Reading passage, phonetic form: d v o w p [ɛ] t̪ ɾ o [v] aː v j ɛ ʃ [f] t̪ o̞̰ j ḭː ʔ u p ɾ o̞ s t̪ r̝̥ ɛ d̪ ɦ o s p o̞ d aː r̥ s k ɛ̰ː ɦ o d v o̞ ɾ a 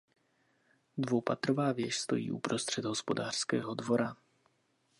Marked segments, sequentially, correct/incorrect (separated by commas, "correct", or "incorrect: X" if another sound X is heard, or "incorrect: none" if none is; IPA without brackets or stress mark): incorrect: a, correct, incorrect: s